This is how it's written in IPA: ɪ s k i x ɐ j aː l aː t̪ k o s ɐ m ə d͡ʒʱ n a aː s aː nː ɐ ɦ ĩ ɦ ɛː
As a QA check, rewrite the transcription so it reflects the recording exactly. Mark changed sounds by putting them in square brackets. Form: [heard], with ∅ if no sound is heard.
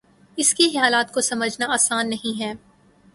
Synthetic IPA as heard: ɪ s k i x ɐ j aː l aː t̪ k o s ɐ m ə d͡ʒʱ n a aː s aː nː ɐ ɦ ĩ ɦ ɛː